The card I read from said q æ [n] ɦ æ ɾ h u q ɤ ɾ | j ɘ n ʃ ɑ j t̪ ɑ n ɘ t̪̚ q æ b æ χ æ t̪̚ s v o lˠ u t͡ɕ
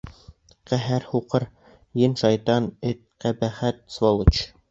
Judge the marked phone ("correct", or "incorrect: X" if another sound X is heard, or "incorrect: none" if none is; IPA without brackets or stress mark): incorrect: none